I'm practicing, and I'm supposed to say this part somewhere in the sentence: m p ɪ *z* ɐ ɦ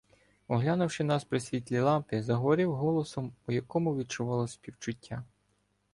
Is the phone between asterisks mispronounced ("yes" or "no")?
no